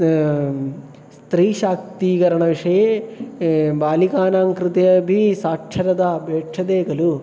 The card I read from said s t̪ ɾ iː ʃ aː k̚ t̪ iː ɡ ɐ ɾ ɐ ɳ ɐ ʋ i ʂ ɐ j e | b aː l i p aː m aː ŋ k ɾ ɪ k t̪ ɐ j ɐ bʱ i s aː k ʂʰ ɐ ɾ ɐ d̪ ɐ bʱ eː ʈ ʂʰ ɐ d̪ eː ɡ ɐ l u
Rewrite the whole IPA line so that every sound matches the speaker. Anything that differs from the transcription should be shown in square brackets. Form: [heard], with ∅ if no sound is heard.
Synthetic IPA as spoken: s t̪ ɾ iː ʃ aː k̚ t̪ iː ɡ ɐ ɾ ɐ ɳ ɐ ʋ i ʂ ɐ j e | b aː l i [k] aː [n] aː ŋ k ɾ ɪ [∅] t̪ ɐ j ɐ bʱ i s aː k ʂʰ ɐ ɾ ɐ d̪ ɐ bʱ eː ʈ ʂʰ ɐ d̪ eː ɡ ɐ l u